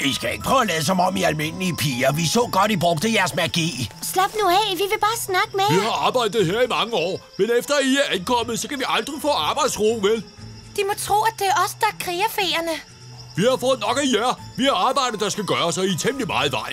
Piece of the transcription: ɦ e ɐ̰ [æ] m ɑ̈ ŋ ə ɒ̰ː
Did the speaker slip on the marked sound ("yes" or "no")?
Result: yes